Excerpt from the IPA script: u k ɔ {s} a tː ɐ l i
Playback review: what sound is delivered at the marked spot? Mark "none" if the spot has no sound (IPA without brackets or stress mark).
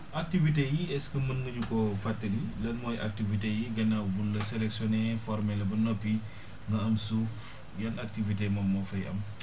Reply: f